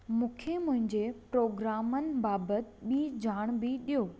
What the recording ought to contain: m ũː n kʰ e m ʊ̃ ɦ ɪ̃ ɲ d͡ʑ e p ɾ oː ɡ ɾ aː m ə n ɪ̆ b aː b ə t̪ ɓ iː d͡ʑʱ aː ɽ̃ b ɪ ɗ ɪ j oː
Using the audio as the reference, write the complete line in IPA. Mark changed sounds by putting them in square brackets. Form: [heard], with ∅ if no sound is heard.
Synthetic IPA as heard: m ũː [∅] kʰ e m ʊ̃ ɦ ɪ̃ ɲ d͡ʑ e p ɾ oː ɡ ɾ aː m ə n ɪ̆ b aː b ə t̪ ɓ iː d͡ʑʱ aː ɽ̃ b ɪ ɗ [i] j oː